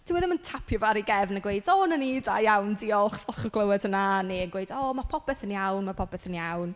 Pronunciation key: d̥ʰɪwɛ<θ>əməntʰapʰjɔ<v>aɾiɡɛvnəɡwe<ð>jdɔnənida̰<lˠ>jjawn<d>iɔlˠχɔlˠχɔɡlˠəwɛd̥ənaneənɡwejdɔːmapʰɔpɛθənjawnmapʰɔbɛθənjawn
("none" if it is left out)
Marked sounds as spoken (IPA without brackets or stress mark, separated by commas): ð, v, none, none, d